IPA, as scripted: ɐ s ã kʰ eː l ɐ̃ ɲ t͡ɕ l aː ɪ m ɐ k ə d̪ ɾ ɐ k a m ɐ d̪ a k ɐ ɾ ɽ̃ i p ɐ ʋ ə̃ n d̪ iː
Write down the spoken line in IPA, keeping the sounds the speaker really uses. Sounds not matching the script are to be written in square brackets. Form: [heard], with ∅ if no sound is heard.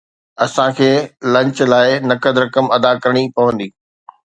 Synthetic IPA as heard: ɐ s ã kʰ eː l ɐ̃ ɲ t͡ɕ l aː ɪ [n] ɐ k ə d̪ ɾ ɐ k [ə] m ɐ d̪ a k ɐ ɾ ɽ̃ i p ɐ ʋ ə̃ n d̪ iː